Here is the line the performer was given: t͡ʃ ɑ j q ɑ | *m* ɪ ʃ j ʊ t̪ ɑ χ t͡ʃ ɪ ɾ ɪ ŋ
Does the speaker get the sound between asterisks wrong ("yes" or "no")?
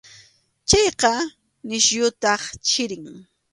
yes